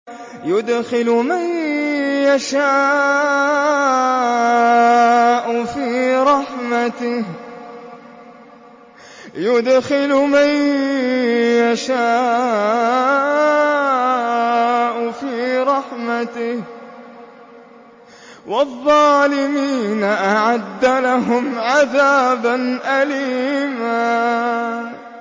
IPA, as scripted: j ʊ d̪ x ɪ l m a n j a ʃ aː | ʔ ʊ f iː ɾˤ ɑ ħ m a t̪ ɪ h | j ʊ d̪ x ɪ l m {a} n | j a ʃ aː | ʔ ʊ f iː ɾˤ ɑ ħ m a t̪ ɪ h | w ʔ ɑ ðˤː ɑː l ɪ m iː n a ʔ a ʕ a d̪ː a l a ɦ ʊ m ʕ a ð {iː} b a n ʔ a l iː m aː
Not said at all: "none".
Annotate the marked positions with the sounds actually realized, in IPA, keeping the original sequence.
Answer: a, aː

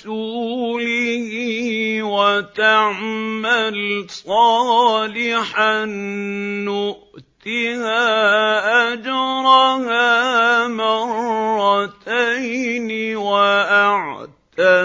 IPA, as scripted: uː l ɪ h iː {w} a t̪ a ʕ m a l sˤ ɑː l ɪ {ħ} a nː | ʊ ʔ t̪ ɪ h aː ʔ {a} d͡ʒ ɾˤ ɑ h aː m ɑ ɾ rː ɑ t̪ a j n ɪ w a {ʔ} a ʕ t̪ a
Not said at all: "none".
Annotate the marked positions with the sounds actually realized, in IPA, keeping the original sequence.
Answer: w, ħ, a, ʔ

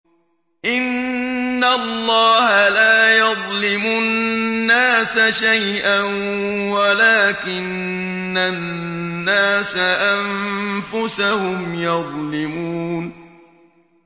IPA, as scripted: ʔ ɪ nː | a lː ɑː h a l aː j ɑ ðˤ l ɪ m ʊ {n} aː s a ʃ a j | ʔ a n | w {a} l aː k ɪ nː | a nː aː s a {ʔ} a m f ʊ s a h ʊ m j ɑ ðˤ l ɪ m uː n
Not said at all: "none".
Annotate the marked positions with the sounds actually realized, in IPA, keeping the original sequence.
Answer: nː, a, ʔ

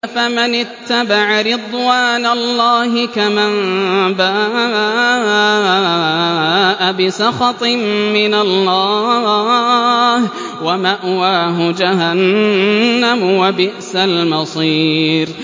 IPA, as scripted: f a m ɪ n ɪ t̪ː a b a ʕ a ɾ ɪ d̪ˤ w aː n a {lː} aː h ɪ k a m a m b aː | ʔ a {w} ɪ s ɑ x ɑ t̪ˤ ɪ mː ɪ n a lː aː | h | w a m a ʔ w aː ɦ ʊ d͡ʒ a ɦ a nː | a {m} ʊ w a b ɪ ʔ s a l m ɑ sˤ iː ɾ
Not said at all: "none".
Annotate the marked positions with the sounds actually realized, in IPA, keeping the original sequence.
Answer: lː, b, m

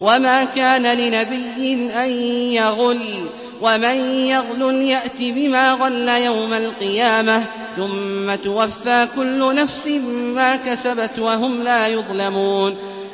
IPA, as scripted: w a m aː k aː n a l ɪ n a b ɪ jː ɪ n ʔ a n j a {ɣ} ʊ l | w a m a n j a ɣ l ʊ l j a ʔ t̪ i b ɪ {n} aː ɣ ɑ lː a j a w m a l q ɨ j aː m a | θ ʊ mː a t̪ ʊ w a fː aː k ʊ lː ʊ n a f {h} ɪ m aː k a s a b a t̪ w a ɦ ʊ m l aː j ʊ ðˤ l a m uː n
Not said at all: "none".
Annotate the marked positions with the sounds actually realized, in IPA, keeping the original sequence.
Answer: ɣ, m, s

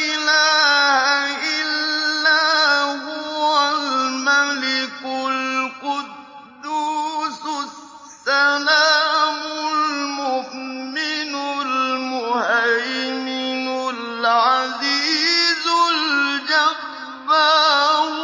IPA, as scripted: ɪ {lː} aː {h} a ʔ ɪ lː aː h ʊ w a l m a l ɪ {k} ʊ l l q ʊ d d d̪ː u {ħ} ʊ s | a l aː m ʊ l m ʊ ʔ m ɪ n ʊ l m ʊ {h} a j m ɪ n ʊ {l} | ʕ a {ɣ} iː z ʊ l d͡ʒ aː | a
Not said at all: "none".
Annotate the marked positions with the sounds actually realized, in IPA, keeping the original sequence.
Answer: l, h, k, s, h, l, z

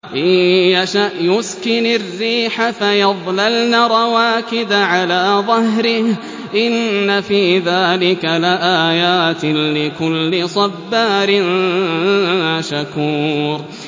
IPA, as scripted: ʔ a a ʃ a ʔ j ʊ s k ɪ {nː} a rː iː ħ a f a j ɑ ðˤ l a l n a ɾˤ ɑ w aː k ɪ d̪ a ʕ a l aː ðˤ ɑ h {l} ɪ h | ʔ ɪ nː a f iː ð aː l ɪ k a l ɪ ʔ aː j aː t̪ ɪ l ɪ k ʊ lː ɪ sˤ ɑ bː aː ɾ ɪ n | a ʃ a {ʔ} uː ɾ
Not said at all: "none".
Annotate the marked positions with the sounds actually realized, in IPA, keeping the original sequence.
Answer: n, ɾ, k

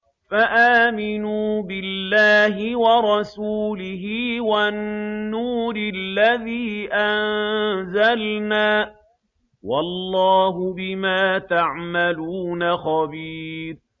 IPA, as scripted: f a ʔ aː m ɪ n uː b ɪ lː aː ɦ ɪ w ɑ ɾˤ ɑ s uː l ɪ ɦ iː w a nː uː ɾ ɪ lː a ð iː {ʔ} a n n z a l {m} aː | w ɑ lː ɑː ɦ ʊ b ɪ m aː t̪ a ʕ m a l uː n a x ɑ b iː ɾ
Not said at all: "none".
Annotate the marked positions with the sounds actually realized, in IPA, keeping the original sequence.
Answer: ʔ, n

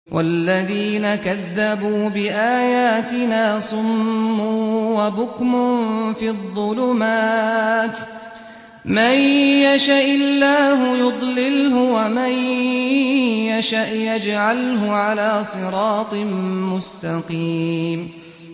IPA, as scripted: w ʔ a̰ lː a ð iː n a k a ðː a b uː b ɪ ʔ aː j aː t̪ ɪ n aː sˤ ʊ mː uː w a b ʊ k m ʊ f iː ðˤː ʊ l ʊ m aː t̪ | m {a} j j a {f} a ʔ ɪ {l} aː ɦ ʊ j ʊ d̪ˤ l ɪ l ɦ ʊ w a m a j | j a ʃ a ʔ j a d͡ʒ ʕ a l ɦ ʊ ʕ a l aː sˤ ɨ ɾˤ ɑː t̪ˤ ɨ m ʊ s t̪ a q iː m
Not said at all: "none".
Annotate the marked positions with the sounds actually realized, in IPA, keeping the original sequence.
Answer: a, ʃ, lː

